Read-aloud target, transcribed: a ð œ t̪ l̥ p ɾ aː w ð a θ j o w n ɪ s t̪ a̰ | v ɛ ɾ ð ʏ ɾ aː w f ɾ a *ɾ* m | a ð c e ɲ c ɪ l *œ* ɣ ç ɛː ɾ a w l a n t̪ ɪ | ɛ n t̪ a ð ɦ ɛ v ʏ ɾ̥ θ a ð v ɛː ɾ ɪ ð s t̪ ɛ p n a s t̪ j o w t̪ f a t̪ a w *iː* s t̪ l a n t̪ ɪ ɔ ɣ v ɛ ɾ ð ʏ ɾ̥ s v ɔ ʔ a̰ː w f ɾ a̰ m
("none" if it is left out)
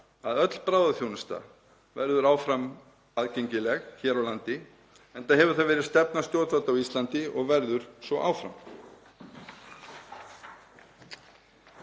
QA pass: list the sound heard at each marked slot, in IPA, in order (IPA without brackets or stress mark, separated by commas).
none, ɛ, i